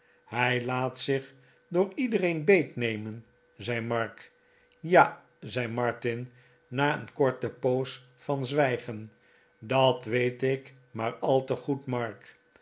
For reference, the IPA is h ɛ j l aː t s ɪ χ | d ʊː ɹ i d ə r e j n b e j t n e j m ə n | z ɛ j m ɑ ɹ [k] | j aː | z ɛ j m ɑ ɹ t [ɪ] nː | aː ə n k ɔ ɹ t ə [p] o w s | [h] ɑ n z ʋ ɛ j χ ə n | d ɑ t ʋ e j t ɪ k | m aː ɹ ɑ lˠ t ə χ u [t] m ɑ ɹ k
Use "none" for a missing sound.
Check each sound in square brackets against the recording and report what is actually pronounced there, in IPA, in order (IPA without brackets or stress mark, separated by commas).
k, ɪ, p, f, t